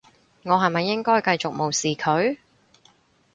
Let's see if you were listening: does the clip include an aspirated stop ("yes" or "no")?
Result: yes